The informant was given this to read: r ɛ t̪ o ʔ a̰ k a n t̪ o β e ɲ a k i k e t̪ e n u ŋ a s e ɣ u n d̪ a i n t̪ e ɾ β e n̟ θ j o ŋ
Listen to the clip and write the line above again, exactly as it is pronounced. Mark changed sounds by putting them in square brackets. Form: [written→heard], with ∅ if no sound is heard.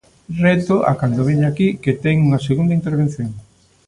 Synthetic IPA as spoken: r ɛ t̪ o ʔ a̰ k a n [t̪→d̪] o β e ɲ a k i k e t̪ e [n→ŋ] u ŋ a s e ɣ u n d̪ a i n t̪ e ɾ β e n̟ θ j o ŋ